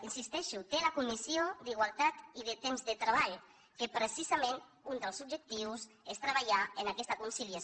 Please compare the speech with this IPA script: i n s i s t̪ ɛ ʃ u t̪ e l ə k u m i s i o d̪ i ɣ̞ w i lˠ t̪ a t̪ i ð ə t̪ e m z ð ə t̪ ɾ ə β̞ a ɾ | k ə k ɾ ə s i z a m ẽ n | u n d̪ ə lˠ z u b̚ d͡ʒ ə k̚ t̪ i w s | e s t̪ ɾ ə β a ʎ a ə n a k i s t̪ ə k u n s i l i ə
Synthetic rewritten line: i n s i s t̪ ɛ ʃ u t̪ e l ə k u m i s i o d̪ i ɣ̞ w a lˠ t̪ a t̪ i ð ə t̪ e m z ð ə t̪ ɾ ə β̞ a ʎ | k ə p ɾ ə s i z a m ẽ n | u n d̪ ə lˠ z u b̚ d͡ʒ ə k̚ t̪ i w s | e s t̪ ɾ ə β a ʎ a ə n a k ɛ s t̪ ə k u n s i l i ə